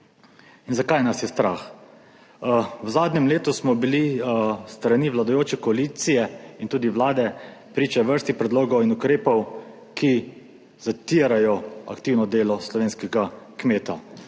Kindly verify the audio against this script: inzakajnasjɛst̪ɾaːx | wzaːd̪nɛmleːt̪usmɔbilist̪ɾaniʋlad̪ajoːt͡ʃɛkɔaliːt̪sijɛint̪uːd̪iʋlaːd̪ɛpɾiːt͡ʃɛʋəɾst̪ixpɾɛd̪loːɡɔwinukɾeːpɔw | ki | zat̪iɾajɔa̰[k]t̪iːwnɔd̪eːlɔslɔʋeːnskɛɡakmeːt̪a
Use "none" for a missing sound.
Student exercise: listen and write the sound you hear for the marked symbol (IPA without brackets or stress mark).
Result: k